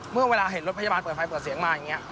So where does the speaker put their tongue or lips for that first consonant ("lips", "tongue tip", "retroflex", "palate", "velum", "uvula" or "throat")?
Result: lips